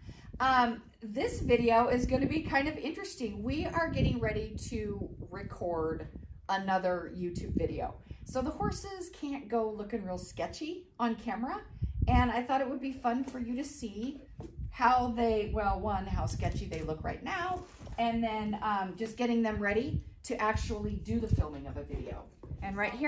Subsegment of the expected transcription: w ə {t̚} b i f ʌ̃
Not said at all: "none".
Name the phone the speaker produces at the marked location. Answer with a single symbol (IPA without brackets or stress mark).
d̚